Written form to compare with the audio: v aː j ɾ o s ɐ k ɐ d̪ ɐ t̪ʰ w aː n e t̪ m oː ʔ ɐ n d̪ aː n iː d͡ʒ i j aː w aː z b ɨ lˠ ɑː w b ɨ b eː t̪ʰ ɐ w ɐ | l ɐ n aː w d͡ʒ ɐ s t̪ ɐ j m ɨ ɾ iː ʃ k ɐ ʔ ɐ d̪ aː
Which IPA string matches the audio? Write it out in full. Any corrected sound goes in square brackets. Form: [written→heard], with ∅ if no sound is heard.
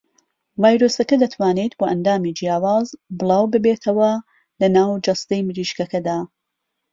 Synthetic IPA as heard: v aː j ɾ o s ɐ k ɐ d̪ ɐ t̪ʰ w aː n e t̪ [m→b] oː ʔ ɐ n d̪ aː [n→m] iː d͡ʒ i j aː w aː z b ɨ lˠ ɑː w b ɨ b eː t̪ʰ ɐ w ɐ | l ɐ n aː w d͡ʒ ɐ s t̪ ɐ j m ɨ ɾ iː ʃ k ɐ [ʔ→k] ɐ d̪ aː